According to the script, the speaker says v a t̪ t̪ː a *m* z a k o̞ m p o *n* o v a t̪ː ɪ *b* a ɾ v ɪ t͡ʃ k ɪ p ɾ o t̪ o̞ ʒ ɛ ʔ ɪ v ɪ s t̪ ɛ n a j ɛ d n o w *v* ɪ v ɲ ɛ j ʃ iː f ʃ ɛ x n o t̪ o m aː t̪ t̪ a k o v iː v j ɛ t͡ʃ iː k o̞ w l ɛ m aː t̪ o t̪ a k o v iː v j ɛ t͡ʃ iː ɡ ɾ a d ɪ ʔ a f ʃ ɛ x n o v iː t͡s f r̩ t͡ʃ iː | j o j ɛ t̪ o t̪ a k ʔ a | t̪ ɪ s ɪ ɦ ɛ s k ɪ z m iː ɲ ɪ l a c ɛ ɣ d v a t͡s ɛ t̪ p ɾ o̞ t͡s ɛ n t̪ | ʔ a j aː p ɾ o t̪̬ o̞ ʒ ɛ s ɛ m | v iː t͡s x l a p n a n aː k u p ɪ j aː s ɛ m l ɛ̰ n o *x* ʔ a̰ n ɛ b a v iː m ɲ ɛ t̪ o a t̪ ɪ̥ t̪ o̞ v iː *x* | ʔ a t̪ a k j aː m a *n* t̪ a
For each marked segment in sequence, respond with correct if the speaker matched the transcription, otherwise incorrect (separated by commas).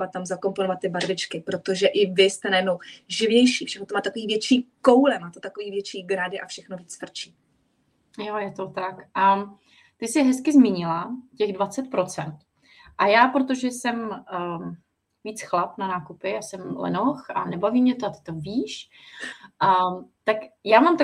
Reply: correct, correct, correct, incorrect, correct, incorrect, incorrect